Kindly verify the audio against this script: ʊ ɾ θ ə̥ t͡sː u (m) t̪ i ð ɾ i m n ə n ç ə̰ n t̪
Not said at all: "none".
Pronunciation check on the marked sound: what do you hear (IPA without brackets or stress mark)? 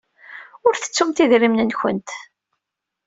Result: m